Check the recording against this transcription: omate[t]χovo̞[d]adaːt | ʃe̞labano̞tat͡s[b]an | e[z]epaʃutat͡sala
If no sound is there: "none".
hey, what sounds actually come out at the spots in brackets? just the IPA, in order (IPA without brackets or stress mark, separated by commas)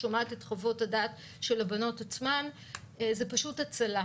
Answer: t, t, m, z